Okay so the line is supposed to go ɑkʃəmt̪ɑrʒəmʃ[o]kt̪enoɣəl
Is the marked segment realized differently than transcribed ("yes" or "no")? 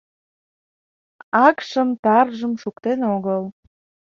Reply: yes